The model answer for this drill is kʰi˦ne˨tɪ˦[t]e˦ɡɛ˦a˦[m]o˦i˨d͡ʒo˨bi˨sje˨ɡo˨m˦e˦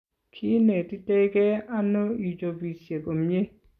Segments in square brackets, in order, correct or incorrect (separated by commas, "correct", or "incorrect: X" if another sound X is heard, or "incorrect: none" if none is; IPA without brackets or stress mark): correct, incorrect: n